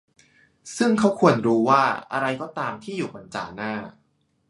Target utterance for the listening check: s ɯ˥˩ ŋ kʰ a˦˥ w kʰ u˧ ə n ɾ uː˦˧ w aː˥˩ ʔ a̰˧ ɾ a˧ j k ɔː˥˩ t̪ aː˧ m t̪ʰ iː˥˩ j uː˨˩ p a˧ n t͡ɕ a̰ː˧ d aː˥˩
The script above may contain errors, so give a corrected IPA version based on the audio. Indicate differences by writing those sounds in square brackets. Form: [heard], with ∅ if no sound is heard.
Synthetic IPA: s ɯ˥˩ ŋ kʰ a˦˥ w kʰ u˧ ə n ɾ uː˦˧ w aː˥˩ ʔ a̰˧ ɾ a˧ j k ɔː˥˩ t̪ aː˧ m t̪ʰ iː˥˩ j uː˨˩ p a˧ n t͡ɕ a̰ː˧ [n] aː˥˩